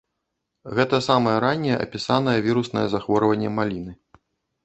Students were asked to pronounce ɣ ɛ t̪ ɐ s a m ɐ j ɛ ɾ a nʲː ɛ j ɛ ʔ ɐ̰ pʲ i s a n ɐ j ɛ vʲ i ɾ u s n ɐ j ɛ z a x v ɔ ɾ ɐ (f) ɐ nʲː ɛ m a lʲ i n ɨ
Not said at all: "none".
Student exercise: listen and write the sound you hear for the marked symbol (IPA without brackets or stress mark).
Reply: v